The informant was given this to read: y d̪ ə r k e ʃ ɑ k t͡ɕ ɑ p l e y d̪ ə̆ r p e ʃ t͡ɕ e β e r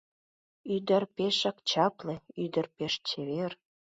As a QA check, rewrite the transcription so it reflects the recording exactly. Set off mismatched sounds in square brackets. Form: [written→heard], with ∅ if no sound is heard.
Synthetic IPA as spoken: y d̪ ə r [k→p] e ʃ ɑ k t͡ɕ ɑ p l e y d̪ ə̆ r p e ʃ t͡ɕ e β e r